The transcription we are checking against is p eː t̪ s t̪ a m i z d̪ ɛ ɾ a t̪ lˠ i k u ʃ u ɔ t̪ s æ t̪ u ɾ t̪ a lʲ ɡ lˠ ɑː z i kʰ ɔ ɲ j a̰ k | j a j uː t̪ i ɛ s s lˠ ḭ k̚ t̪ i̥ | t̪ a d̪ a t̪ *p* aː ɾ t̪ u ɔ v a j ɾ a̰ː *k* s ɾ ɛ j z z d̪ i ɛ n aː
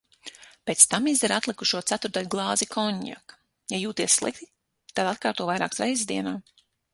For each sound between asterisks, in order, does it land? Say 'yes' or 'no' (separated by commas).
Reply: no, yes